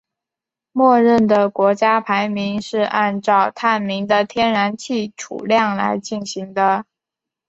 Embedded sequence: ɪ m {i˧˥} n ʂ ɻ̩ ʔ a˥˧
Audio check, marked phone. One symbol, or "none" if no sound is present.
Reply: i˧˥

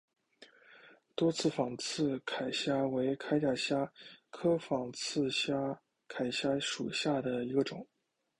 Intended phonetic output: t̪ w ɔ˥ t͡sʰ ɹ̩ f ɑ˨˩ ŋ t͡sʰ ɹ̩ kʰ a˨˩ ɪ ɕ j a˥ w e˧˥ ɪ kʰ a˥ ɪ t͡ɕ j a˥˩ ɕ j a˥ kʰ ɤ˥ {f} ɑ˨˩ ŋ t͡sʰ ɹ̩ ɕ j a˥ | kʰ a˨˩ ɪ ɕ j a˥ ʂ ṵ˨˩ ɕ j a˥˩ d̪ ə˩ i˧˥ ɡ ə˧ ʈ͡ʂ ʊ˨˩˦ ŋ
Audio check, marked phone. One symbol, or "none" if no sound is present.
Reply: f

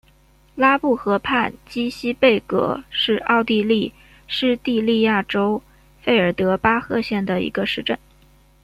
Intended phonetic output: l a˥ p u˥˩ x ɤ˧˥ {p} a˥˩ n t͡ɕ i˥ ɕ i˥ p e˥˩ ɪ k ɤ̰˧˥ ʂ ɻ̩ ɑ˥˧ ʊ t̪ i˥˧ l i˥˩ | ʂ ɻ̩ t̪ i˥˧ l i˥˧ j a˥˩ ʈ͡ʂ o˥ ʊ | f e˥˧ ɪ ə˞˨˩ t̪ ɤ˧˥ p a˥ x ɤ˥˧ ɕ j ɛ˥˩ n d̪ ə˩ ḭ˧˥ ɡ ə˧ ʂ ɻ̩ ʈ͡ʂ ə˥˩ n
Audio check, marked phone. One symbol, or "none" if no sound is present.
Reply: pʰ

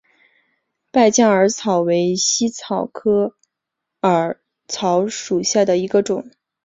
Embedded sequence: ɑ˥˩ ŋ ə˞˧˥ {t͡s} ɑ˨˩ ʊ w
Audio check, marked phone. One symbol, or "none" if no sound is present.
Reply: t͡sʰ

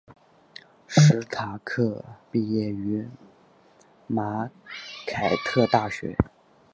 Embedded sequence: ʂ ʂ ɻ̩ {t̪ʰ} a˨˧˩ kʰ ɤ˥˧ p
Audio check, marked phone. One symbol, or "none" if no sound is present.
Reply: t̪ʰ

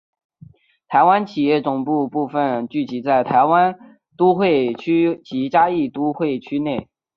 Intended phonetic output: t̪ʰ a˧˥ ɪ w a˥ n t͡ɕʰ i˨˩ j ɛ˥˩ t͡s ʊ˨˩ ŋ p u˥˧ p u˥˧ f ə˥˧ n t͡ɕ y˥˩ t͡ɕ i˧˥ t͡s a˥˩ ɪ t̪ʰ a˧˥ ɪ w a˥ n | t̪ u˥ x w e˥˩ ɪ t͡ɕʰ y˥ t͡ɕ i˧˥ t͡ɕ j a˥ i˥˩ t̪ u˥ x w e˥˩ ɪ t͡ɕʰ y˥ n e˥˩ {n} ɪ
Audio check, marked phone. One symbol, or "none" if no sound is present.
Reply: none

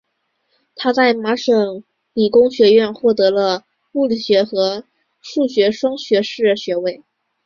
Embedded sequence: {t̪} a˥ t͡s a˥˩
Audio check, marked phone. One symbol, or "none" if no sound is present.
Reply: t̪ʰ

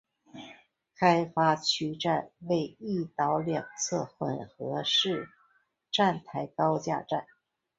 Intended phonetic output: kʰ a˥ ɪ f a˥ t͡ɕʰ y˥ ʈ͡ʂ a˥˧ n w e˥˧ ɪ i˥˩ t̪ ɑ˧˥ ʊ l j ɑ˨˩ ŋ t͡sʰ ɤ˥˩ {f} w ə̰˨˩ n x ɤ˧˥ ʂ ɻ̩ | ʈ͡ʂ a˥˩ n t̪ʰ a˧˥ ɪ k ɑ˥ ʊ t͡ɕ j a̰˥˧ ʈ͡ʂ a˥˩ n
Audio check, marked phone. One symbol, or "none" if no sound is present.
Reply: x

